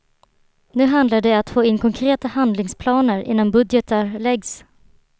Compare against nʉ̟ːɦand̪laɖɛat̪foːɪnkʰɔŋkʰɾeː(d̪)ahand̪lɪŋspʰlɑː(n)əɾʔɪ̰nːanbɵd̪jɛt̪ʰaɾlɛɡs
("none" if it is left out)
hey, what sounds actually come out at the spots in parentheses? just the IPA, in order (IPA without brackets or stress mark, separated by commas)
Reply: t̪, n